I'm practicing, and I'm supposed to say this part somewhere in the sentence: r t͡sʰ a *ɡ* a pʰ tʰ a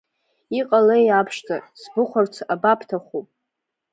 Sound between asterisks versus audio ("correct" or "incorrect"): incorrect